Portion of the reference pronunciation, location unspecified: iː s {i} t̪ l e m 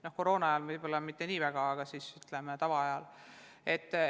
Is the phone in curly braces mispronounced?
yes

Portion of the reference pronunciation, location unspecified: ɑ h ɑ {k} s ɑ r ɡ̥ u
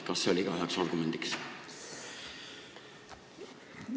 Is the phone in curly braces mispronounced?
no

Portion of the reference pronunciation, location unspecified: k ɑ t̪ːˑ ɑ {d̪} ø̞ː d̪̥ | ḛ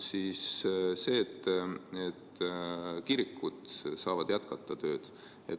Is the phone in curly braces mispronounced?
yes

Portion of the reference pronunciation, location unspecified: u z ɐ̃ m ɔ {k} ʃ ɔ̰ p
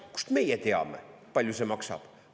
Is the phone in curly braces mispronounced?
no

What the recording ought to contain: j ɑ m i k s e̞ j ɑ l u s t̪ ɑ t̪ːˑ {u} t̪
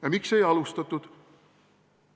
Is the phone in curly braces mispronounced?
no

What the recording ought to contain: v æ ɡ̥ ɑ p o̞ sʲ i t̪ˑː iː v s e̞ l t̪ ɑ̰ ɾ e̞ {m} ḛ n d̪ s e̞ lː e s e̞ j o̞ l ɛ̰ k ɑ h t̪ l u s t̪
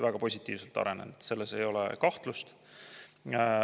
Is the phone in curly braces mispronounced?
yes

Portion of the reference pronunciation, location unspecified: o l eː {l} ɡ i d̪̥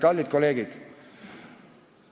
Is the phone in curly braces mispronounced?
yes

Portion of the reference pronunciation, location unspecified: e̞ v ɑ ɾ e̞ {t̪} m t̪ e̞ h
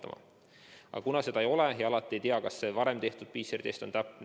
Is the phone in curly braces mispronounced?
yes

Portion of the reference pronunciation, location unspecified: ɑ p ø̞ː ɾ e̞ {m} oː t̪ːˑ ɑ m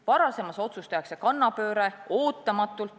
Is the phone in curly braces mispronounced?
yes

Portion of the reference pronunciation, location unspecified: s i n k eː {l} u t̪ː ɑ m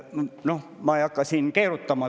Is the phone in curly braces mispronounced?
yes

